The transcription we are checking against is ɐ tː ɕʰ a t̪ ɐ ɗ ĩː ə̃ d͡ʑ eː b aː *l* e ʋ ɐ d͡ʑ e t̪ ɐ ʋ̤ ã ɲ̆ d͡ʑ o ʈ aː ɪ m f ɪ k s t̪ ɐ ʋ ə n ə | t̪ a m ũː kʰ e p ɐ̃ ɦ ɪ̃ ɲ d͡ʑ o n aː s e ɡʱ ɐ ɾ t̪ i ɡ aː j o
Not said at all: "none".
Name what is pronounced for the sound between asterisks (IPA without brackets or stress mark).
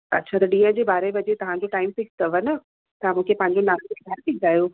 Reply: ɾ